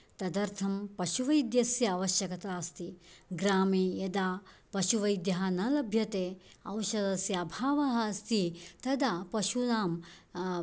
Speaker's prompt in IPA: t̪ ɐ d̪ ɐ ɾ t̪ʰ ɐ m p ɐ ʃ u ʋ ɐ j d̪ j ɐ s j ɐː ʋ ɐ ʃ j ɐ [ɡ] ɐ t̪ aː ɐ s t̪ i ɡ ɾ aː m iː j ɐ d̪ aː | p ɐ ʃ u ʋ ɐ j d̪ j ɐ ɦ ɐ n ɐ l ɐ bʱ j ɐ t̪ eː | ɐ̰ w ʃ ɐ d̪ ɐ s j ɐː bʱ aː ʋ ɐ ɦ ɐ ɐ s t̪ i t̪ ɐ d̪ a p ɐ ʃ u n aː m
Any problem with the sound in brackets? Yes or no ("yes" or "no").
yes